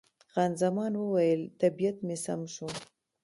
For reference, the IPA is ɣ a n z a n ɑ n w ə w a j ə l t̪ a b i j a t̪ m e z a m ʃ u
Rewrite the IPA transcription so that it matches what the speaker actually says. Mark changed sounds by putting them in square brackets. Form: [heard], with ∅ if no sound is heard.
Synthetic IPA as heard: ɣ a n z a [m] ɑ n w ə w a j ə l t̪ a b i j a t̪ m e [s] a m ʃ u